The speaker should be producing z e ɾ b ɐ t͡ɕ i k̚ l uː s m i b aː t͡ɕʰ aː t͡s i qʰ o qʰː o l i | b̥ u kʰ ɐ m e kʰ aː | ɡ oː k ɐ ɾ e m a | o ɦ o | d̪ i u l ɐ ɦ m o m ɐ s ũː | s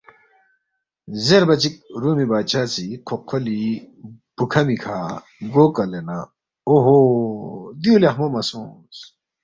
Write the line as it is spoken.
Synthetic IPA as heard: z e ɾ b ɐ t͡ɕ i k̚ ɾ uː m i b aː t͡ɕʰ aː t͡s i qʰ o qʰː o l i | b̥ u kʰ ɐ m i kʰ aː | ɡ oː k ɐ l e n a | o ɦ o | d̪ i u l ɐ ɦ m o m ɐ s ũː | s